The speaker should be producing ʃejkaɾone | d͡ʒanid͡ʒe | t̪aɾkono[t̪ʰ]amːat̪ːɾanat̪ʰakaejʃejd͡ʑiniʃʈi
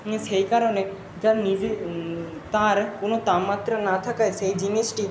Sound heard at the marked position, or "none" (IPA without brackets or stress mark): t̪